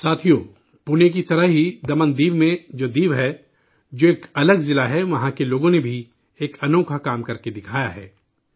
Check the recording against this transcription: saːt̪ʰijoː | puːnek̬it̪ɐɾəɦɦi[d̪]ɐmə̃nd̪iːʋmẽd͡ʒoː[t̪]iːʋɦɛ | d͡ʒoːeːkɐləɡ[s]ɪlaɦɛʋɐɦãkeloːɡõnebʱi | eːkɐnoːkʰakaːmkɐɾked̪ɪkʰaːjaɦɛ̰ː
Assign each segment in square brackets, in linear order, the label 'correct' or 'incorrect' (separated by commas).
correct, incorrect, incorrect